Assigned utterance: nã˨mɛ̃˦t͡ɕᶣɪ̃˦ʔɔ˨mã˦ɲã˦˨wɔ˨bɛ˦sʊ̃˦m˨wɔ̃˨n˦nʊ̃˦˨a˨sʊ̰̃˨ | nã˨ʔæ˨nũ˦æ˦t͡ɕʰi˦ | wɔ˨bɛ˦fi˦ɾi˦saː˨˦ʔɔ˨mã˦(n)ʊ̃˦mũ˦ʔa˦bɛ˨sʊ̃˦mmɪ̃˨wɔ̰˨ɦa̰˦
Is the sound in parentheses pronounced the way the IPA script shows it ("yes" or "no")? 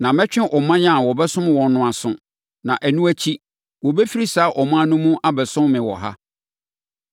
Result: yes